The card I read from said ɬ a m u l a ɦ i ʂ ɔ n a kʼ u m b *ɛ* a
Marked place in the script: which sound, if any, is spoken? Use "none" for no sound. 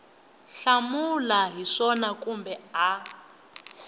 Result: ɛ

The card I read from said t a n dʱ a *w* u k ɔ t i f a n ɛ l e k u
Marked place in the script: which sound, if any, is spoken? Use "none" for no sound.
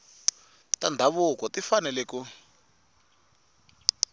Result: β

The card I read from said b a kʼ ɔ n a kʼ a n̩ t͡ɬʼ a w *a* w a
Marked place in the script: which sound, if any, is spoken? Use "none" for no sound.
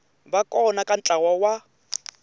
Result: a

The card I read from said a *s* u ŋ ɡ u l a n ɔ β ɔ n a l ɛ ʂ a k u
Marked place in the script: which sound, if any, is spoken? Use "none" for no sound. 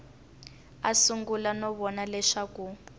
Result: s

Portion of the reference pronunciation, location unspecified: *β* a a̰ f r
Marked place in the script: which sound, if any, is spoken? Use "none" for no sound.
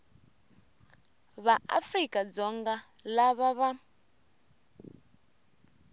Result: β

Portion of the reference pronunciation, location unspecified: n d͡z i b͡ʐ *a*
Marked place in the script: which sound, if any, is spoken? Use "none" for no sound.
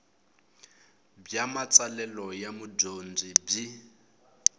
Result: i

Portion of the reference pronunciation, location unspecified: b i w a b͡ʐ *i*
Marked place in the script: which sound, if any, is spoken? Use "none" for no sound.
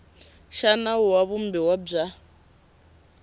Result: a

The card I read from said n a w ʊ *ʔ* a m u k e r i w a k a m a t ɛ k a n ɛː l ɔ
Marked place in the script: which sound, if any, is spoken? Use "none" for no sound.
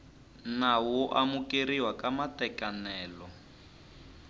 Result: ʔ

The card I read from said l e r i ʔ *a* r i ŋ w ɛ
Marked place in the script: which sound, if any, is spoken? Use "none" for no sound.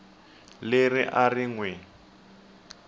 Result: a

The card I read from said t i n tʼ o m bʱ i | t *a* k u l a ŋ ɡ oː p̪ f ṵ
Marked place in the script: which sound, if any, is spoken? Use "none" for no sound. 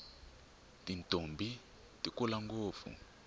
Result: i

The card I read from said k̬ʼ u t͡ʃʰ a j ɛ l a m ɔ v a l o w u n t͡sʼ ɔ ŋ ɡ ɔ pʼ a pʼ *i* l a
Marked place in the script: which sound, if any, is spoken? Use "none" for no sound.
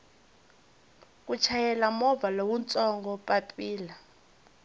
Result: iː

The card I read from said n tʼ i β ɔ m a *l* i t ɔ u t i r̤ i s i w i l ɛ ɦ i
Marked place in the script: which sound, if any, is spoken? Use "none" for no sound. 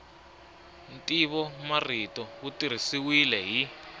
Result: r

